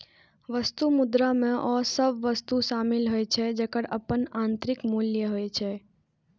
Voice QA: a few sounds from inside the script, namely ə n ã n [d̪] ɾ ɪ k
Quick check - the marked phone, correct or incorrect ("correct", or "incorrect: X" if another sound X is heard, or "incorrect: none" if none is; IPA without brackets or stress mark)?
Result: incorrect: t̪